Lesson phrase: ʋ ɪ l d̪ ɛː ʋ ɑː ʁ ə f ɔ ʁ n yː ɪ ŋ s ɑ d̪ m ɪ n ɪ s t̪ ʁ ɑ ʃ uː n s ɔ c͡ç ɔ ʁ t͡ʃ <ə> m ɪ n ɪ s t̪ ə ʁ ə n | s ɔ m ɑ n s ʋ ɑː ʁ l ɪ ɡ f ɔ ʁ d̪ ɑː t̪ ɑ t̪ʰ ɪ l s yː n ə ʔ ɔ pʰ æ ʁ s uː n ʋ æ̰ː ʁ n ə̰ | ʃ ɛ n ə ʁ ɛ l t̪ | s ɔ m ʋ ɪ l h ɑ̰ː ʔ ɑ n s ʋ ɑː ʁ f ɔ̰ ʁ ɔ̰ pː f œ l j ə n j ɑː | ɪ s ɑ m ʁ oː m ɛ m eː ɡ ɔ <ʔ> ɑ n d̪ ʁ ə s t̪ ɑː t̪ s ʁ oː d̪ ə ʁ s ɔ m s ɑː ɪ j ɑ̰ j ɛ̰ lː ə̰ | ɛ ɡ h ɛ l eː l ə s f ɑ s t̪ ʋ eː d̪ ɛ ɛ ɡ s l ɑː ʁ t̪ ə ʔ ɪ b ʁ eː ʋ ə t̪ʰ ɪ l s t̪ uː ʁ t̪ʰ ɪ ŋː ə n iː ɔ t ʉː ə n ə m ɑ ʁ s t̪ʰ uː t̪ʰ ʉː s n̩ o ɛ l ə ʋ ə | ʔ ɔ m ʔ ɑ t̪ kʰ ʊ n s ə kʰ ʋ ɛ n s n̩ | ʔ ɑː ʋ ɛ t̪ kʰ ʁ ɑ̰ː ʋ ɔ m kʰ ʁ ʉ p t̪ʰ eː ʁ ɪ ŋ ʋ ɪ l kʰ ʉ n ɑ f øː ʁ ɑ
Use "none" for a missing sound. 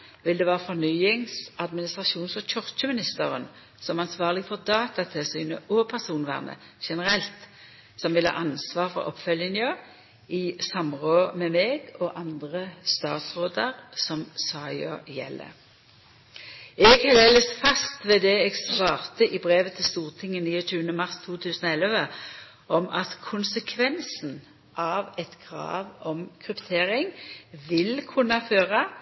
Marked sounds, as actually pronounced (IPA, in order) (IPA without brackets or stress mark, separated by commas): ə, ʔ